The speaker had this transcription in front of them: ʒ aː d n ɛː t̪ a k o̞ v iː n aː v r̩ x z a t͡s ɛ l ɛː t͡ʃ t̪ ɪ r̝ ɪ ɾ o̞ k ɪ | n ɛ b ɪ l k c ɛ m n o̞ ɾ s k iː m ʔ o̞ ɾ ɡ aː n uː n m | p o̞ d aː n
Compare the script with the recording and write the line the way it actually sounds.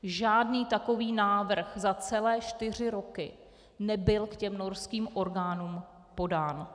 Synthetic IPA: ʒ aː d n iː t̪ a k o̞ v iː n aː v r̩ x z a t͡s ɛ l ɛː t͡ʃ t̪ ɪ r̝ ɪ ɾ o̞ k ɪ | n ɛ b ɪ l k c ɛ m n o̞ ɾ s k iː m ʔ o̞ ɾ ɡ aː n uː m | p o̞ d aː n